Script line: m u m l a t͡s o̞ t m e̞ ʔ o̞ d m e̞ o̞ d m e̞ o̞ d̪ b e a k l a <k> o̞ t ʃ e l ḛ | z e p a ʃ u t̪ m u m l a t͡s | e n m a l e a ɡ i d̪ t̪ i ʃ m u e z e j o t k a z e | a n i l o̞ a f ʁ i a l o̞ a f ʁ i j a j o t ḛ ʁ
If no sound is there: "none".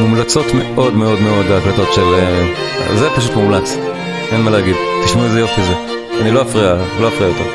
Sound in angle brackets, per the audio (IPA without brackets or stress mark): t